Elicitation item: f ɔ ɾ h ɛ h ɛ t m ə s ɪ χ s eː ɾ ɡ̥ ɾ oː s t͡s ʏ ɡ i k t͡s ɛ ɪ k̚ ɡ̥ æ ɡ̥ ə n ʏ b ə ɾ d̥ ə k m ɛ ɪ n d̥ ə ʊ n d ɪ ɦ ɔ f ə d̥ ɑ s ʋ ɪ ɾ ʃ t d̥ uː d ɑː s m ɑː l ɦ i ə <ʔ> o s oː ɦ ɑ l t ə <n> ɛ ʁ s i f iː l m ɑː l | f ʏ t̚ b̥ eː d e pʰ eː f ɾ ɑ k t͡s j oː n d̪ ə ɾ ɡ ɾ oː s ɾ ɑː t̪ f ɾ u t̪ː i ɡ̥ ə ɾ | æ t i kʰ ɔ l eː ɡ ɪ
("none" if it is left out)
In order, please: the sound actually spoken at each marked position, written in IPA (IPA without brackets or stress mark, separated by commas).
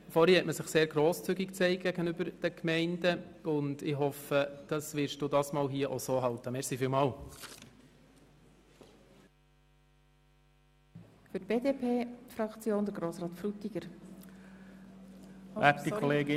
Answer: ʔ, m